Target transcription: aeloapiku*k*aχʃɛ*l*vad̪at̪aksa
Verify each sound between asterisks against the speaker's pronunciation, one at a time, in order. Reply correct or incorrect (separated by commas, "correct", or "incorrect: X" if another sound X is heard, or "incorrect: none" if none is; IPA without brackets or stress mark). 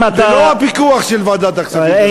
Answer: incorrect: none, correct